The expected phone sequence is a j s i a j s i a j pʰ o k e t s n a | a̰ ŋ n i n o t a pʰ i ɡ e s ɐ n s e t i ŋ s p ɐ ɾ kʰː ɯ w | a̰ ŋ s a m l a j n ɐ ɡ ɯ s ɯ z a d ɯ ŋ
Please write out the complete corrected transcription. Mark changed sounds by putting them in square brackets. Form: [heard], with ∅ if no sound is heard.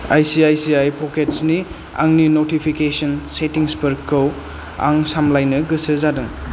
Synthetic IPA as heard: a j s i a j s i a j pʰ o k e t s n [i] | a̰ ŋ n i n o t [i] pʰ i [k] e s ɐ n s e t i ŋ s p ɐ ɾ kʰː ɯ w | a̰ ŋ s a m l a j n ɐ ɡ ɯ s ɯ z a d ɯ ŋ